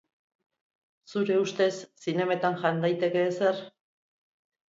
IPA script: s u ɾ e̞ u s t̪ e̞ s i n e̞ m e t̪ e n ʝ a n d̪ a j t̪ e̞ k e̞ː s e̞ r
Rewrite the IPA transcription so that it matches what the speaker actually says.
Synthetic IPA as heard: s u ɾ e̞ u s t̪ e̞ sː i n e̞ m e t̪ a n ʝ a n d̪ a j t̪ e̞ k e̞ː s e̞ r